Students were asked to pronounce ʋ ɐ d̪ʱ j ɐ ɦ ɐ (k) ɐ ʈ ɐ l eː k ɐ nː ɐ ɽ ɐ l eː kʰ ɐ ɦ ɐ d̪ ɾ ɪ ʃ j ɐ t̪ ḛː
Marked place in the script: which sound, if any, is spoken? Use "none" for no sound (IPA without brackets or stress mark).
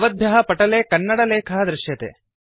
p